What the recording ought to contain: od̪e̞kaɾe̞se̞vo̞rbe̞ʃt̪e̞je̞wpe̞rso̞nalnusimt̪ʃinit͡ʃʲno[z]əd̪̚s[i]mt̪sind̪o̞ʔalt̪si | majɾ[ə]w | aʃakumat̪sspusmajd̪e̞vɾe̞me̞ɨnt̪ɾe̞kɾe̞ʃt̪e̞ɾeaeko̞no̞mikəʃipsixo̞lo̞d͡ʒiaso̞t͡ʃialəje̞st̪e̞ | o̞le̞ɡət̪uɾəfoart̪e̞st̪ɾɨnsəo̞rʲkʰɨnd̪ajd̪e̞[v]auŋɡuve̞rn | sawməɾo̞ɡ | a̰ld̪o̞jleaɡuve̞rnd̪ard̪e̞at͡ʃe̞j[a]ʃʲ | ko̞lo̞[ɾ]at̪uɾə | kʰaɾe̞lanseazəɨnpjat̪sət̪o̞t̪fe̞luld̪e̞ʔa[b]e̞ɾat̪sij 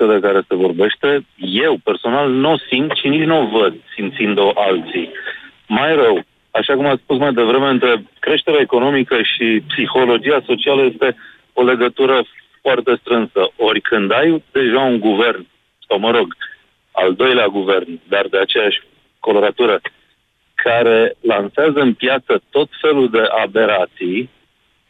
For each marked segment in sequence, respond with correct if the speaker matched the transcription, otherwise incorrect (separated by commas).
incorrect, correct, correct, incorrect, correct, correct, correct